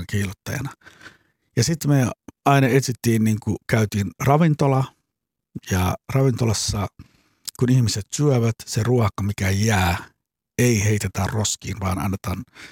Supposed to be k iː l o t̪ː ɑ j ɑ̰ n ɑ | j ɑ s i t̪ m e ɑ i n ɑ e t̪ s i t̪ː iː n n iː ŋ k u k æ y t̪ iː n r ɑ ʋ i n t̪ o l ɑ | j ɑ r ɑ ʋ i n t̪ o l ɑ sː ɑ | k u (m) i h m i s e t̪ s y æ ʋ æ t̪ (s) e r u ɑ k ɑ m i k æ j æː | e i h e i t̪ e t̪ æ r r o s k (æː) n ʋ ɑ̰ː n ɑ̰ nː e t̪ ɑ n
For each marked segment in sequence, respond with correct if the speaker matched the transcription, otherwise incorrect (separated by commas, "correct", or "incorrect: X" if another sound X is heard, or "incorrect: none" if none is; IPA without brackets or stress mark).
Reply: incorrect: n, correct, incorrect: iː